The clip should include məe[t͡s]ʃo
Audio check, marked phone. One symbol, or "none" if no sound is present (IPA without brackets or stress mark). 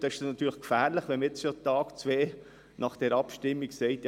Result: t͡s